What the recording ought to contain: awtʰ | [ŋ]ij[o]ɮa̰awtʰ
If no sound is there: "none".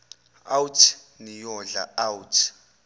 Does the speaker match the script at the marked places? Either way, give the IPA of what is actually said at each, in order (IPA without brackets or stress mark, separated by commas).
n, ɔ